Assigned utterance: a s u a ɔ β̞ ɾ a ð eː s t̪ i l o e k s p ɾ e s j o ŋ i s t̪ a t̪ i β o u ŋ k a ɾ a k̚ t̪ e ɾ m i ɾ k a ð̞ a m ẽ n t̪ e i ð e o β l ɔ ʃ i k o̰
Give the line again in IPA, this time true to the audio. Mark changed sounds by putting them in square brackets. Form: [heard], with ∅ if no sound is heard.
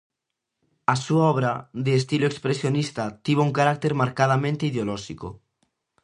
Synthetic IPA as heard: a s u a ɔ β̞ ɾ a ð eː s t̪ i l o e k s p ɾ e s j o [n] i s t̪ a t̪ i β o u ŋ k a ɾ a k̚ t̪ e ɾ m [a] ɾ k a ð̞ a m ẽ n t̪ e i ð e o [∅] l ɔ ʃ i k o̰